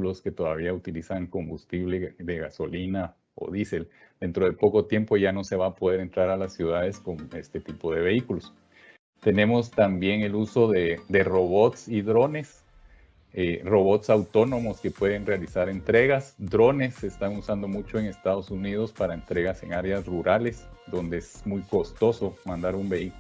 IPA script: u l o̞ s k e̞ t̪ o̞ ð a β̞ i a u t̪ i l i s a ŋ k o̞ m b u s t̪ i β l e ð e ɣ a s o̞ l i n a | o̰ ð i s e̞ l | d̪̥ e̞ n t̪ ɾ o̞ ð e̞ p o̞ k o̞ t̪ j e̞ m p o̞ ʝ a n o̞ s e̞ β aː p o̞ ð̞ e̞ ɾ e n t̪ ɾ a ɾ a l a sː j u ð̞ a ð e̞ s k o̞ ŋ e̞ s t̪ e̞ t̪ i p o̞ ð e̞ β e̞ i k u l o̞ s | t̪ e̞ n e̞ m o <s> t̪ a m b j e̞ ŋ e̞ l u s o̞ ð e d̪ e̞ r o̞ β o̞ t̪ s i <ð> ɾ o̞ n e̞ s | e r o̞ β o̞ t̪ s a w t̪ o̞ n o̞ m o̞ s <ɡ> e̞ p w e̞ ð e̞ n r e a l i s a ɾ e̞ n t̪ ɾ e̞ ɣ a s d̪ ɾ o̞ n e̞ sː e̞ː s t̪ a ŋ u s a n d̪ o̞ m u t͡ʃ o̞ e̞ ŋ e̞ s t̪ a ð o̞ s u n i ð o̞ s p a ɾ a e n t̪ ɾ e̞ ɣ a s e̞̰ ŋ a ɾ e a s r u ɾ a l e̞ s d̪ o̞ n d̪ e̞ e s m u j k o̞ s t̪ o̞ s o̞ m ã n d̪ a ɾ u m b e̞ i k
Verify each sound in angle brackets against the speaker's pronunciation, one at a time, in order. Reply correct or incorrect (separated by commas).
correct, correct, incorrect